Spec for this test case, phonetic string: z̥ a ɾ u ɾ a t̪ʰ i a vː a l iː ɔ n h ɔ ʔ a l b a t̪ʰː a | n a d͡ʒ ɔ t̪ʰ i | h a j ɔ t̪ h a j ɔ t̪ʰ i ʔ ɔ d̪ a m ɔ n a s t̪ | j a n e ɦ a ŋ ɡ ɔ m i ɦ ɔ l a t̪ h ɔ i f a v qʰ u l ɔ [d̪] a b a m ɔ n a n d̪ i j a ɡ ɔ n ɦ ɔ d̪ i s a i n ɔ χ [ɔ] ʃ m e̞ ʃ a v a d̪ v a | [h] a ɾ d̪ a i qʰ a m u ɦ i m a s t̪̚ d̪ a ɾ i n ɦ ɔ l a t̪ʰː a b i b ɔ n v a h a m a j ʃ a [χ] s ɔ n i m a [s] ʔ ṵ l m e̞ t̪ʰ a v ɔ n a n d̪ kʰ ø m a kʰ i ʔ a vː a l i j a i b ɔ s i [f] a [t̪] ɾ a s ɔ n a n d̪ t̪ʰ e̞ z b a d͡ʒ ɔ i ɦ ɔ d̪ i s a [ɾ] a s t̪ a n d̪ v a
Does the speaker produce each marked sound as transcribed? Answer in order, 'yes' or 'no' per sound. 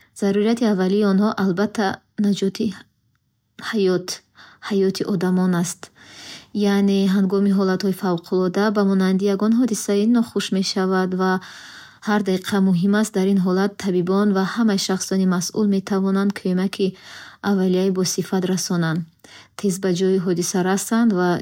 yes, no, yes, yes, yes, yes, yes, yes

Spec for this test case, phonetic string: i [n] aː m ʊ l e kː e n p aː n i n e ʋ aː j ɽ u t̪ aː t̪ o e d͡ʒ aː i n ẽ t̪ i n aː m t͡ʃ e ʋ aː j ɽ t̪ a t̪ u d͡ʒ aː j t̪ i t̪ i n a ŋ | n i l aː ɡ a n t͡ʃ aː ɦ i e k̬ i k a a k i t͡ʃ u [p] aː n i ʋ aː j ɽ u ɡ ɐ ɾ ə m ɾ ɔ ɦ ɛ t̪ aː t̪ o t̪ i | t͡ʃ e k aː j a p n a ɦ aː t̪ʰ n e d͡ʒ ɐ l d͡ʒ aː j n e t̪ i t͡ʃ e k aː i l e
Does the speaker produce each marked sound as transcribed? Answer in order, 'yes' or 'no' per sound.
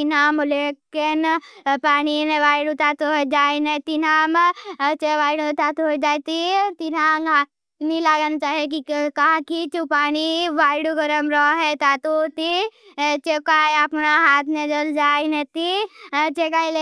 yes, yes

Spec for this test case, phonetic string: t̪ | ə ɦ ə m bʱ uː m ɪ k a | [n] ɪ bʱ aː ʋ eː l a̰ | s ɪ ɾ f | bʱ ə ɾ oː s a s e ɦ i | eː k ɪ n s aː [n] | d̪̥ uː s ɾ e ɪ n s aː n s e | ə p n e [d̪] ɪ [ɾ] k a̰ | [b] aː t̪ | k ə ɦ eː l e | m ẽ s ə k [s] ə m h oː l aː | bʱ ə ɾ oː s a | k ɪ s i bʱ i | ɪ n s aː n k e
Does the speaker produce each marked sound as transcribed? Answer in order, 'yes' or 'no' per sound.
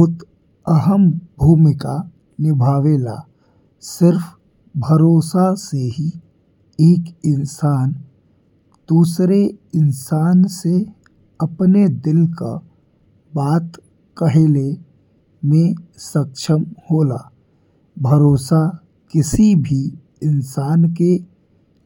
yes, yes, yes, no, yes, no

